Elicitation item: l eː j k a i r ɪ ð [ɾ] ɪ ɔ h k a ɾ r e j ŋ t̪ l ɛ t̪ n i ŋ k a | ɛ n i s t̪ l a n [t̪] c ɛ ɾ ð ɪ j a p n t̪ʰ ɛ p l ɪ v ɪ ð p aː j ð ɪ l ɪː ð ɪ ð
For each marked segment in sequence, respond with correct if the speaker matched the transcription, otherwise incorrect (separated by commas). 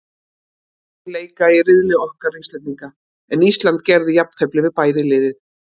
incorrect, correct